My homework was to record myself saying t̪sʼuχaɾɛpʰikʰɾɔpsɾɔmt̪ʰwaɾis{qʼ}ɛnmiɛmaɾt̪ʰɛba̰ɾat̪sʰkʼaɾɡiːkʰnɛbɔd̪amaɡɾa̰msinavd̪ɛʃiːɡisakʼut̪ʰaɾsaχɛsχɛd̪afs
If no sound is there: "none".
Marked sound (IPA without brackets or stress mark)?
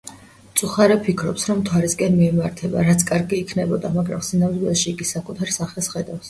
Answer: kʼ